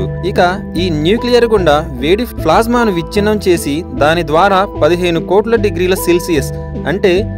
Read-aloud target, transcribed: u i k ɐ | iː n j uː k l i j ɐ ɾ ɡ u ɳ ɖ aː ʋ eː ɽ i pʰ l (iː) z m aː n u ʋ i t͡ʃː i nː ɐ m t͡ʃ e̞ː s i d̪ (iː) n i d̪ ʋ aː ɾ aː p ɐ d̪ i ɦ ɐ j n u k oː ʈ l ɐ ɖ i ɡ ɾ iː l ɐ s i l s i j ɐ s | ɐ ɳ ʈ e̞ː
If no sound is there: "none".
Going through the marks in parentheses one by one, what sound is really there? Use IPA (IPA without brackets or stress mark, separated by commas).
aː, aː